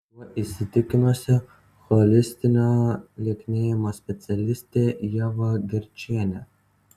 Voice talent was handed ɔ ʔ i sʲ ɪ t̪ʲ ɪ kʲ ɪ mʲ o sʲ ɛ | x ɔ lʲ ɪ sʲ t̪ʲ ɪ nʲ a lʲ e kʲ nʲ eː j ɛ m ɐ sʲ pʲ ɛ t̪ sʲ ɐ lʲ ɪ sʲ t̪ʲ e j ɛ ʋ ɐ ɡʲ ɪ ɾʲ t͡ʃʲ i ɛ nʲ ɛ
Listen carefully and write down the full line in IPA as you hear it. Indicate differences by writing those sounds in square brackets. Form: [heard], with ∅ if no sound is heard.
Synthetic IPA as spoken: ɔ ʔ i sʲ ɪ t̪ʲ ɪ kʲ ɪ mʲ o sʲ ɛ | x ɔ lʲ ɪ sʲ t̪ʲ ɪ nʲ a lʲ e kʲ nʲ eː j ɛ m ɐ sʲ pʲ ɛ t̪ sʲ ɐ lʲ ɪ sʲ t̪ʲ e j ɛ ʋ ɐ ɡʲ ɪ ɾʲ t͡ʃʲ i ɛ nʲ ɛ

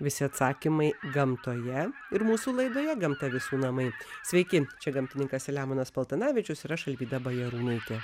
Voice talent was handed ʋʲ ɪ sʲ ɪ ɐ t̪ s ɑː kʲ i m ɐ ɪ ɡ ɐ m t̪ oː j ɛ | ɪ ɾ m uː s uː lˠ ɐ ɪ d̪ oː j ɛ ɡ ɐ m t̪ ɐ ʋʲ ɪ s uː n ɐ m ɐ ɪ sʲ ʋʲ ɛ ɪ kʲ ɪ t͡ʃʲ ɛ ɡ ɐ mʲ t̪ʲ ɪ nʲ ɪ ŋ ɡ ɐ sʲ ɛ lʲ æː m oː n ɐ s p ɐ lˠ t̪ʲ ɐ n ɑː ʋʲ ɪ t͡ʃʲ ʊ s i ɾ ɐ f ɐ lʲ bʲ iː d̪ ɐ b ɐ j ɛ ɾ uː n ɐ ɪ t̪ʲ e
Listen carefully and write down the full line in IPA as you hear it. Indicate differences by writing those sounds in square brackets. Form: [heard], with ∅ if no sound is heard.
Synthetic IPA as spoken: ʋʲ ɪ sʲ ɪ ɐ t̪ s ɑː kʲ i m ɐ ɪ ɡ ɐ m t̪ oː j ɛ | ɪ ɾ m uː s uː lˠ ɐ ɪ d̪ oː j ɛ ɡ ɐ m t̪ ɐ ʋʲ ɪ s uː n ɐ m ɐ ɪ sʲ ʋʲ ɛ ɪ kʲ ɪ t͡ʃʲ ɛ ɡ ɐ mʲ t̪ʲ ɪ nʲ ɪ ŋ [k] ɐ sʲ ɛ lʲ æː m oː n ɐ s p ɐ lˠ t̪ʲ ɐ n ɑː ʋʲ ɪ t͡ʃʲ ʊ s i ɾ ɐ [ʃ] ɐ lʲ bʲ iː d̪ ɐ b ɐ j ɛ ɾ uː n ɐ ɪ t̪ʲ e

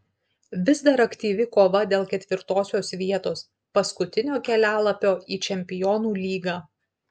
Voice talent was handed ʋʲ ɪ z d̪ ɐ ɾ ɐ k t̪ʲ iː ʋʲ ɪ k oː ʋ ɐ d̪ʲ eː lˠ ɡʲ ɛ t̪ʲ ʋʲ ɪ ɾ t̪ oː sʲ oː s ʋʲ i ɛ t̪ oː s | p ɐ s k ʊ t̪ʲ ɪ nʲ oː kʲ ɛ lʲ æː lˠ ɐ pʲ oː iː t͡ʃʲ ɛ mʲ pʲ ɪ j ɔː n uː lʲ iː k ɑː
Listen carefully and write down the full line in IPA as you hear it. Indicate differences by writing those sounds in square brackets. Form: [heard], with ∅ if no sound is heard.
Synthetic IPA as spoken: ʋʲ ɪ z d̪ ɐ ɾ ɐ k t̪ʲ iː ʋʲ ɪ k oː ʋ ɐ d̪ʲ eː lˠ [kʲ] ɛ t̪ʲ ʋʲ ɪ ɾ t̪ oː sʲ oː s ʋʲ i ɛ t̪ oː s | p ɐ s k ʊ t̪ʲ ɪ nʲ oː kʲ ɛ lʲ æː lˠ ɐ pʲ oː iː t͡ʃʲ ɛ mʲ pʲ ɪ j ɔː n uː lʲ iː [ɡ] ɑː

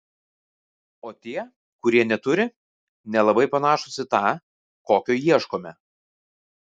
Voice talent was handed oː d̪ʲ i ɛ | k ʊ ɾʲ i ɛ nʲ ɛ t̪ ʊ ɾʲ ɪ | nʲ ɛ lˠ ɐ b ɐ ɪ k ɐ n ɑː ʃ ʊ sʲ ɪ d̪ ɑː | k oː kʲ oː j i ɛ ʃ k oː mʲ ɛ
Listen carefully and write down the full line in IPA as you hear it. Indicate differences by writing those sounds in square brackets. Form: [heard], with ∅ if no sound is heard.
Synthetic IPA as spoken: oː [t̪ʲ] i ɛ | k ʊ ɾʲ i ɛ nʲ ɛ t̪ ʊ ɾʲ ɪ | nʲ ɛ lˠ ɐ b ɐ ɪ [p] ɐ n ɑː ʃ ʊ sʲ ɪ [t̪] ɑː | k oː kʲ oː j i ɛ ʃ k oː mʲ ɛ

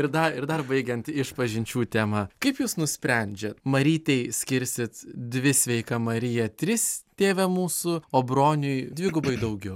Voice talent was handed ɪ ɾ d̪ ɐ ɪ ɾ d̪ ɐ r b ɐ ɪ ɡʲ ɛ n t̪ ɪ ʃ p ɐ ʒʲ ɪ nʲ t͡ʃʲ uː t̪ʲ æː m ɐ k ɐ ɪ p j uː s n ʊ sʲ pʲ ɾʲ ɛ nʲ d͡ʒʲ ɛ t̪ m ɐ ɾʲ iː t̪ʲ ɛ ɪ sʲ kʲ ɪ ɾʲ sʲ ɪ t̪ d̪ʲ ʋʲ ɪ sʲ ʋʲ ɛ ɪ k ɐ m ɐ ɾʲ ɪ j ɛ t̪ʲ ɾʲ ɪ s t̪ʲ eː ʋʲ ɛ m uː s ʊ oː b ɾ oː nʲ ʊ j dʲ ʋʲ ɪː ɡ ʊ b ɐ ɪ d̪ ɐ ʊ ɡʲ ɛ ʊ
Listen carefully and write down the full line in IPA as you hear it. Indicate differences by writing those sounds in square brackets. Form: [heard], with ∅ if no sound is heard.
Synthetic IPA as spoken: ɪ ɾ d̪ ɐ ɪ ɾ d̪ ɐ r b ɐ ɪ ɡʲ ɛ n t̪ ɪ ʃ p ɐ ʒʲ ɪ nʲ t͡ʃʲ uː t̪ʲ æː m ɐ k ɐ ɪ p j uː s n ʊ sʲ pʲ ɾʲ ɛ nʲ d͡ʒʲ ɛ t̪ m ɐ ɾʲ iː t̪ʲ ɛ ɪ sʲ kʲ ɪ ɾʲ sʲ ɪ t̪ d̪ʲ ʋʲ ɪ sʲ ʋʲ ɛ ɪ k ɐ m ɐ ɾʲ ɪ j ɛ t̪ʲ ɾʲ ɪ s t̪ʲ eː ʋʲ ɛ m uː s ʊ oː b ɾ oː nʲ ʊ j dʲ ʋʲ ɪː ɡ ʊ b ɐ ɪ d̪ ɐ ʊ ɡʲ ɛ ʊ

